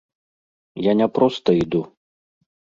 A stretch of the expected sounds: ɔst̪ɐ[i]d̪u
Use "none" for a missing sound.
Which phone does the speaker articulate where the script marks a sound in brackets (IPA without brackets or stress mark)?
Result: i